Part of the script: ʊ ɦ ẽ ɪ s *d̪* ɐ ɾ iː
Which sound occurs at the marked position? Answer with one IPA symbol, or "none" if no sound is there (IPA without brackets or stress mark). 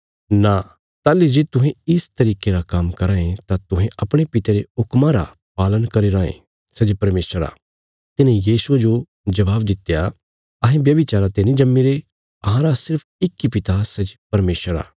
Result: t̪